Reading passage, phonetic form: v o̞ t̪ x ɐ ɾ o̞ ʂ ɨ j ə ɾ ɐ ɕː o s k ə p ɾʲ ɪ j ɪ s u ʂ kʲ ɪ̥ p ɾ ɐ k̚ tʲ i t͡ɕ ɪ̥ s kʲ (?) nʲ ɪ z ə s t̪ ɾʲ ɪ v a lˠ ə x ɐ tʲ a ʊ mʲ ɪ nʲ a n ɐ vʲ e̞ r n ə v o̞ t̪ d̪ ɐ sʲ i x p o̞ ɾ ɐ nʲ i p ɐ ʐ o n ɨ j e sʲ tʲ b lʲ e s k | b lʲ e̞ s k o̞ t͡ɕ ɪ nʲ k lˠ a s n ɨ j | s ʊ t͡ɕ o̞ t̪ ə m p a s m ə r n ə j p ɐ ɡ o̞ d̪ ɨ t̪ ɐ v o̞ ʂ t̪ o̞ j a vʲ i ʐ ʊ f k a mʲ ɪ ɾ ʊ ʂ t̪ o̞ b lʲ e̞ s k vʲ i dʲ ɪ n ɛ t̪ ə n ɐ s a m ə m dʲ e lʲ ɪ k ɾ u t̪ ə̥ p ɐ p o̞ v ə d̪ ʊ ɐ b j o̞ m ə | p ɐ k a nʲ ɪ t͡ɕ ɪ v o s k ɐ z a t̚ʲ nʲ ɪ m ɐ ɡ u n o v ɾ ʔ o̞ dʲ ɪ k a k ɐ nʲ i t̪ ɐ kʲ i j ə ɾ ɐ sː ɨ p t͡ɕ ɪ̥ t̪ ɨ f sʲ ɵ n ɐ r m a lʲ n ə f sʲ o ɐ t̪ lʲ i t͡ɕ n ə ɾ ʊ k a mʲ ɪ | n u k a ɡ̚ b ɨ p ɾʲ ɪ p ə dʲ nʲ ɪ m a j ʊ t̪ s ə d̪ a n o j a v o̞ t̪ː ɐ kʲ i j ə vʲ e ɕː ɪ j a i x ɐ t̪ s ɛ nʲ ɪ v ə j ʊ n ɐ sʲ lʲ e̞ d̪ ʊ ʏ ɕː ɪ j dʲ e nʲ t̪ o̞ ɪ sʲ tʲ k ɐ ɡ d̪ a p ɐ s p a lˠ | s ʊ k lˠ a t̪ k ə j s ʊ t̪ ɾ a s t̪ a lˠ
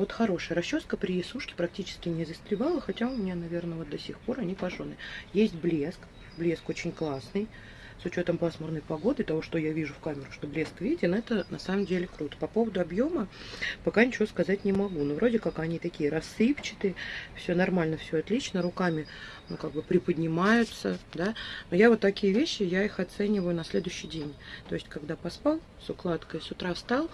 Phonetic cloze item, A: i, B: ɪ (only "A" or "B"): B